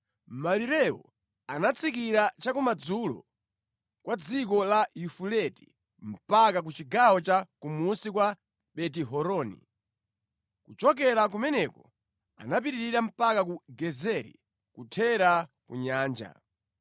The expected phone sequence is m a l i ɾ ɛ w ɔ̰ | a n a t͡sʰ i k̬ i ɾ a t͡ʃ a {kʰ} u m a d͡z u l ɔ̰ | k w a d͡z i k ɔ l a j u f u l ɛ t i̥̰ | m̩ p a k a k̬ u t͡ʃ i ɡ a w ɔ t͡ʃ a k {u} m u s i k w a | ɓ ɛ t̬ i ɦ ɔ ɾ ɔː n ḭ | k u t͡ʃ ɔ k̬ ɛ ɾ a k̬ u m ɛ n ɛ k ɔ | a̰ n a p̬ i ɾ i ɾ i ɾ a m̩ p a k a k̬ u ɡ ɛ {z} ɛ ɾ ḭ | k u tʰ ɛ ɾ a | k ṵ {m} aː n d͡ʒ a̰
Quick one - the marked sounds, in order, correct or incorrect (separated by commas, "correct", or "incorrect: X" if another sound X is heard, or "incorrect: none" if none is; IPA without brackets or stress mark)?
incorrect: k, correct, correct, incorrect: ɲ